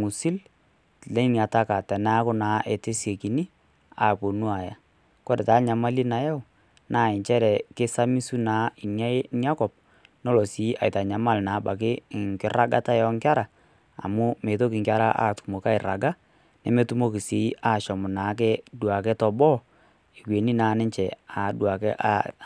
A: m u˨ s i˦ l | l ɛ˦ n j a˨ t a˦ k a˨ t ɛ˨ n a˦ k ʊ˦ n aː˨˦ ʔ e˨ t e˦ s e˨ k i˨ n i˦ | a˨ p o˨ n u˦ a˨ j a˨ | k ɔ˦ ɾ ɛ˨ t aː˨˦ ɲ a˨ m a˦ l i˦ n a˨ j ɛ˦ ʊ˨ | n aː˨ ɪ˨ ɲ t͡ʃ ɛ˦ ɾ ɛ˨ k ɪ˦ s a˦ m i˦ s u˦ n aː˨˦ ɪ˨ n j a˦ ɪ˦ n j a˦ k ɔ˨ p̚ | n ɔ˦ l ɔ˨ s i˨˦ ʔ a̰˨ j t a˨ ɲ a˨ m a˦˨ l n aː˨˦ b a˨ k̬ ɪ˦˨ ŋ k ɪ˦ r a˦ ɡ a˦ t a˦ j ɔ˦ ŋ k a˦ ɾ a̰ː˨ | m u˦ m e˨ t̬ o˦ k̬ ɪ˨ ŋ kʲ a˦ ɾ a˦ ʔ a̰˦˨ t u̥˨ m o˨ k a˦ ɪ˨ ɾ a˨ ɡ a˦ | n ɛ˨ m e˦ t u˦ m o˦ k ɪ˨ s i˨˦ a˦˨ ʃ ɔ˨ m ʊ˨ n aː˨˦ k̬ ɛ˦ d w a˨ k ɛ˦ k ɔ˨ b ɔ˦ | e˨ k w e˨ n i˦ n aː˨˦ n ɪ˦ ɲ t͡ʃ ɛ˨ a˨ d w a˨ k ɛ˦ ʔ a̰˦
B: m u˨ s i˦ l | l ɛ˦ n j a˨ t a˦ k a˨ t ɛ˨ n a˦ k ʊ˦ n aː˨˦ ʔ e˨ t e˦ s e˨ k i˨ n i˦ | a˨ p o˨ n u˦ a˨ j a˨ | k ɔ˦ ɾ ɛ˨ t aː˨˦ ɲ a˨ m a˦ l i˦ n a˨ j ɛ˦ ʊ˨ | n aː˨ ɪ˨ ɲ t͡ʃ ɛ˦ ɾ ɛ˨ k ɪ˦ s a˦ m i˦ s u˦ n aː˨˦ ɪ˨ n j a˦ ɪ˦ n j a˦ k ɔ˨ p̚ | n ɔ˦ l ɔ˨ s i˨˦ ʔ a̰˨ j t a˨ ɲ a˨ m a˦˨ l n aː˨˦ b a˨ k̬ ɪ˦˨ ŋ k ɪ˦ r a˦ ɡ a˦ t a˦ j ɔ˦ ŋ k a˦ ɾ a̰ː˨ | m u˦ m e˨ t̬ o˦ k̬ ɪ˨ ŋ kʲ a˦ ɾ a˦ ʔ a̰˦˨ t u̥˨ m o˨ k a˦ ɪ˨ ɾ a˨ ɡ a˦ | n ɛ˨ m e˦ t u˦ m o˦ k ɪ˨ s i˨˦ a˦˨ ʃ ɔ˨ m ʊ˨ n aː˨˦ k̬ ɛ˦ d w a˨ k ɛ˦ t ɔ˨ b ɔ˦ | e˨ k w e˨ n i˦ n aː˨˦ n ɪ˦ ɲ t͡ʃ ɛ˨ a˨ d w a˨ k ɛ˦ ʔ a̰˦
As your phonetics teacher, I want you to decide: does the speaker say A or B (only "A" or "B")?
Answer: B